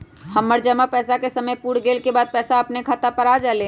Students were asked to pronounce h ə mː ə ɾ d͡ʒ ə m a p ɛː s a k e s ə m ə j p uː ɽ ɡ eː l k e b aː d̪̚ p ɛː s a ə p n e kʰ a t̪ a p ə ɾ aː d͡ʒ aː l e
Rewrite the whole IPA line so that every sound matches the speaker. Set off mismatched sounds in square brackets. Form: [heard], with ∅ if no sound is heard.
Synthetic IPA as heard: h ə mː ə ɾ d͡ʒ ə m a p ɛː s a k e s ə m ə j p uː ɽ ɡ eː l k e b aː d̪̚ p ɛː s a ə p n e kʰ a t̪ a p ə ɾ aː d͡ʒ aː l e